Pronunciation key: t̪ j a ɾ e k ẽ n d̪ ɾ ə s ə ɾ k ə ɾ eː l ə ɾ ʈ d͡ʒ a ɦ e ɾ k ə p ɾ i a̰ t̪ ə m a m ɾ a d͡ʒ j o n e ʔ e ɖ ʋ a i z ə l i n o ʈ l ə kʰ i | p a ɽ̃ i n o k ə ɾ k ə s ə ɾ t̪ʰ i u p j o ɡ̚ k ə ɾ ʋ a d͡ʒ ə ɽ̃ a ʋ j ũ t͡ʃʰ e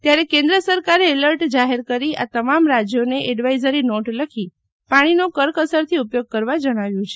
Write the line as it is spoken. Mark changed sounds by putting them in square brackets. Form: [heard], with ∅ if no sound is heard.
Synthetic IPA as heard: t̪ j a ɾ e k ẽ n d̪ ɾ ə s ə ɾ k [a] ɾ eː l ə ɾ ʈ d͡ʒ a ɦ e ɾ k ə [∅] ɾ i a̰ t̪ ə m a m ɾ a d͡ʒ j o n e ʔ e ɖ ʋ a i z ə [ɾ] i n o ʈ l ə kʰ i | p a ɽ̃ i n o k ə ɾ k ə s ə ɾ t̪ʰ i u p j o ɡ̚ k ə ɾ ʋ a d͡ʒ ə ɽ̃ a ʋ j ũ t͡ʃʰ e